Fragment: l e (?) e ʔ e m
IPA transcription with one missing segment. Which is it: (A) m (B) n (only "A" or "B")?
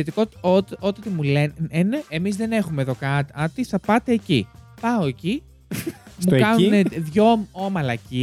B